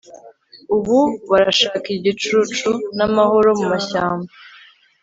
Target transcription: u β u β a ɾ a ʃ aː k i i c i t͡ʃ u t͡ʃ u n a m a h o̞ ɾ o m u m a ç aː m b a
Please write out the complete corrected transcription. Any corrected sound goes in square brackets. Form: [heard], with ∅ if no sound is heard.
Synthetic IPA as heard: u β u β a ɾ a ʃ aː k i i [ɟ] i t͡ʃ u t͡ʃ u n a m a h o̞ ɾ o m u m a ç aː m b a

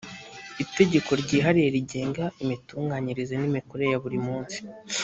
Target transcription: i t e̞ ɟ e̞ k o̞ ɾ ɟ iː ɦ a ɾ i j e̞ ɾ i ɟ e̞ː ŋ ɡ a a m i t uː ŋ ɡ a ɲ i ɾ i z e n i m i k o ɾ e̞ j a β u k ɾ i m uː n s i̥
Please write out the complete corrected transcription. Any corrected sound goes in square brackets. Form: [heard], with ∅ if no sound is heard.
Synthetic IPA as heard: i t e̞ ɟ e̞ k o̞ ɾ ɟ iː ɦ a ɾ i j e̞ ɾ i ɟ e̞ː ŋ ɡ a [i] m i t uː ŋ ɡ a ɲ i ɾ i z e n i m i k o ɾ e̞ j a β u [∅] ɾ i m uː n s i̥

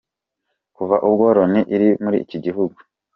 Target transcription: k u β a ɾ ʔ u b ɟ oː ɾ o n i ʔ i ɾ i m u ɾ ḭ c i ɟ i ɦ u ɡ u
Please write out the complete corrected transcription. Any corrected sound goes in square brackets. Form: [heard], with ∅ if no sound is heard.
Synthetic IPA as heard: k u [v] a [∅] ʔ u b [ɡ] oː ɾ o n i ʔ i ɾ i m u ɾ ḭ c i ɟ i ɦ u ɡ u

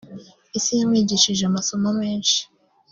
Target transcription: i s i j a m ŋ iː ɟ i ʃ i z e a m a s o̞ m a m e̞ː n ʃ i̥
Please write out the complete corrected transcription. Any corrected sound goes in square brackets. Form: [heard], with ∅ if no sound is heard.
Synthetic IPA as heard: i s i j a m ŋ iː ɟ i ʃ i [ʒ] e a m a s o̞ m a m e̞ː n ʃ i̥

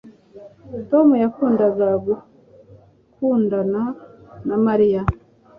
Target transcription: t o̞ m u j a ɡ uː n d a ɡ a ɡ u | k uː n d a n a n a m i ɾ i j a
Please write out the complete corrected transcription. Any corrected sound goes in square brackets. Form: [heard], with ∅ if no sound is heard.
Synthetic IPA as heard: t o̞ m u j a [k] uː n d a ɡ a ɡ u | k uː n d a n a n a m [a] ɾ i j a

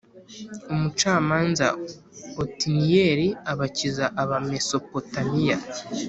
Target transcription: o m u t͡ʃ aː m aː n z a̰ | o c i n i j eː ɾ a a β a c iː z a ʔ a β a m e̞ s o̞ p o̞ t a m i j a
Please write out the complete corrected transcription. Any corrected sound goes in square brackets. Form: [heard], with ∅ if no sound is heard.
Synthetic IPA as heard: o m u t͡ʃ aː m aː n z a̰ | o [t] i n i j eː ɾ [i] a β a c [i] z a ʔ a β a m e̞ s o̞ p o̞ t a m i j a

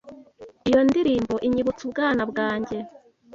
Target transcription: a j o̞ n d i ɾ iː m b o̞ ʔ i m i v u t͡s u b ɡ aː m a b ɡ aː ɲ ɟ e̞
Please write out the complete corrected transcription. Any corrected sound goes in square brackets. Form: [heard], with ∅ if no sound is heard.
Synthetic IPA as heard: [i] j o̞ n d i ɾ iː m b o̞ ʔ i [ɲ] i [β] u t͡s u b ɡ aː [n] a b ɡ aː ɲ ɟ e̞

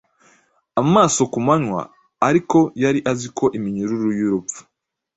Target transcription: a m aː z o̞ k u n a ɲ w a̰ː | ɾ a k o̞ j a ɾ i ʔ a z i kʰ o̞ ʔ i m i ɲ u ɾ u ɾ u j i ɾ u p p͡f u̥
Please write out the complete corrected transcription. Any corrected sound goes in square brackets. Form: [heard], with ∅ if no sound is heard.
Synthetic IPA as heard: a m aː [s] o̞ k u [m] a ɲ w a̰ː | ɾ [i] k o̞ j a ɾ i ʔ a z i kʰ o̞ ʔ i m i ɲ u ɾ u ɾ u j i ɾ u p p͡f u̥

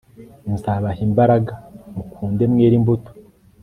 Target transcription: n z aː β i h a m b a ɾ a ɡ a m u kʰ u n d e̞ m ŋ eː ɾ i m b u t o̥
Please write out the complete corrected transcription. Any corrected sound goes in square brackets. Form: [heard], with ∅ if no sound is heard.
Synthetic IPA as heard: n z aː β [a] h [i] m b a ɾ a ɡ a m u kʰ [uː] n d e̞ m ŋ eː ɾ i m b u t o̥

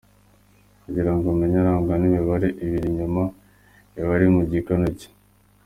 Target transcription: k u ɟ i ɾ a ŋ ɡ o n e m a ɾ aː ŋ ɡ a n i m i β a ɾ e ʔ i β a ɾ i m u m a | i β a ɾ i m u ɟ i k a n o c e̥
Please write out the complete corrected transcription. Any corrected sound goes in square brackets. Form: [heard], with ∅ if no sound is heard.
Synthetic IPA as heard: k u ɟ i ɾ a ŋ ɡ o [m] e [ɲ] a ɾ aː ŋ ɡ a n i m i β a ɾ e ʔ i β [i] ɾ i [ɲ] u m a | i β a ɾ i m u ɟ i k a n o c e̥

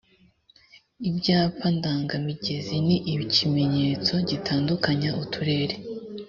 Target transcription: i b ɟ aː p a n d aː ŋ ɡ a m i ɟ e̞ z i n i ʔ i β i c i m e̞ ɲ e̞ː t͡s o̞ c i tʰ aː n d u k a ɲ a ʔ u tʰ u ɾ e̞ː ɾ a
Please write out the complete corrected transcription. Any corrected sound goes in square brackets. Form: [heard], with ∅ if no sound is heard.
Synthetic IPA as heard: i b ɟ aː p a n d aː ŋ ɡ a m i ɟ e̞ z i n i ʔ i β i c i m e̞ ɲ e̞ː t͡s o̞ [ɟ] i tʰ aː n d u k a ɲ a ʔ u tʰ u ɾ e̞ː ɾ [e]

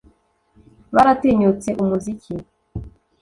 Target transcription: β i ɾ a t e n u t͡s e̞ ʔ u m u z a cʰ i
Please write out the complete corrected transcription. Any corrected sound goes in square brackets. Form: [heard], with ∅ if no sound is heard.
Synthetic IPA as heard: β [a] ɾ a t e [ɲ] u t͡s e̞ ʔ u m u z [i] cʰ i

